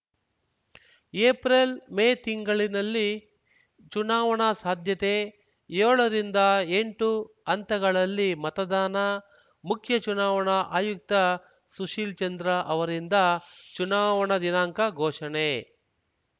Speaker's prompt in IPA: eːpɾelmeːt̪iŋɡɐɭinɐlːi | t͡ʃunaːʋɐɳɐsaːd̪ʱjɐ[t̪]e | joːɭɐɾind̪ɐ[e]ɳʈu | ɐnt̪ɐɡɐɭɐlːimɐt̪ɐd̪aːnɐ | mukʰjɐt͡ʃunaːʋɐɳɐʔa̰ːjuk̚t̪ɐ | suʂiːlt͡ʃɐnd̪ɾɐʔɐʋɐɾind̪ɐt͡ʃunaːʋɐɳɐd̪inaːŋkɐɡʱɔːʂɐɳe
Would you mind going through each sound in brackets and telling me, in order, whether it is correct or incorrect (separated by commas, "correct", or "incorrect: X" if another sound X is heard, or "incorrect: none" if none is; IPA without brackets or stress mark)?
correct, correct